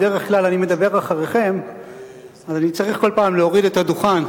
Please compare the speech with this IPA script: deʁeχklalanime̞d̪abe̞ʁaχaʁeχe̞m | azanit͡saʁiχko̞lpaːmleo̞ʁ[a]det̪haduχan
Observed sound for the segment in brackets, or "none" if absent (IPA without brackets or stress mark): i